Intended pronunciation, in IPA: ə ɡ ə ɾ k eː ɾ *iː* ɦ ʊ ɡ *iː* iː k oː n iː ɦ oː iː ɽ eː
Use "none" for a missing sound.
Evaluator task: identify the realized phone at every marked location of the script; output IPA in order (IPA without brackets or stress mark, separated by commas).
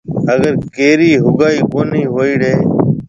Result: iː, aː